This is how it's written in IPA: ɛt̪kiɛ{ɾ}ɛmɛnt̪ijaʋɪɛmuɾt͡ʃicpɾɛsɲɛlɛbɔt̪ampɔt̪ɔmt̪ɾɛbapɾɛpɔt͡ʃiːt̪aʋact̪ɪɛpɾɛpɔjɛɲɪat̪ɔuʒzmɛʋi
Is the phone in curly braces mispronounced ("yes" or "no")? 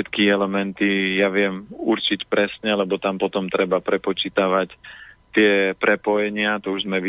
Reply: yes